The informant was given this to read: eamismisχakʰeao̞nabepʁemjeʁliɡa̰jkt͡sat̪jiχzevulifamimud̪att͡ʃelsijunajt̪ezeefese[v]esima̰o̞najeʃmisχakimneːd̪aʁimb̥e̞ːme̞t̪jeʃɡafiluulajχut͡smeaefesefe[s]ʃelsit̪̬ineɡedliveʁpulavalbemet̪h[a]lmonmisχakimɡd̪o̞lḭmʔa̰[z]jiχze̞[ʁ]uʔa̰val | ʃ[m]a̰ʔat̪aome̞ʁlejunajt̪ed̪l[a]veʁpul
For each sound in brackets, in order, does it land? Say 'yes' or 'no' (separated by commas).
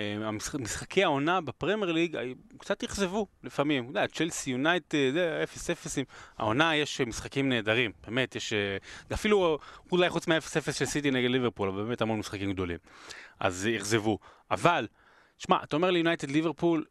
no, yes, yes, yes, no, yes, no